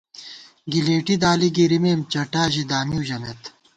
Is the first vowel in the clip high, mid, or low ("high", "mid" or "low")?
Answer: high